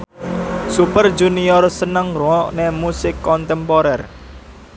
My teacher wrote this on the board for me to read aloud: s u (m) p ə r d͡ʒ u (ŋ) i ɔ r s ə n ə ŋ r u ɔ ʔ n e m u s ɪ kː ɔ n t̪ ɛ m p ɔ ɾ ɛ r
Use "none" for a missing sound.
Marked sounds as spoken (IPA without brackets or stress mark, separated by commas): none, n